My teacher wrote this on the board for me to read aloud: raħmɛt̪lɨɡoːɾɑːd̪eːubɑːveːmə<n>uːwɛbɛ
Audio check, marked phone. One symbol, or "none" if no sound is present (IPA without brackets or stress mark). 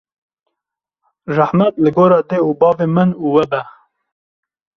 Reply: n